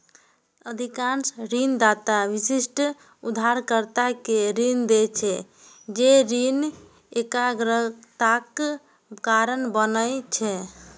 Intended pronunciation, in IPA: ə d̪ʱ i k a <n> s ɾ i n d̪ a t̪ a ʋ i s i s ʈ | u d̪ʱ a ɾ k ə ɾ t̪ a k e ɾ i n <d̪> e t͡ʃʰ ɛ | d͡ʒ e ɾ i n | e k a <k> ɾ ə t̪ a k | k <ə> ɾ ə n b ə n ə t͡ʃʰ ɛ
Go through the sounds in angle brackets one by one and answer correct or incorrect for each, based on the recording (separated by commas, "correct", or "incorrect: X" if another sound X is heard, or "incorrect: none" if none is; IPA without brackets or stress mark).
correct, correct, incorrect: ɡ, incorrect: a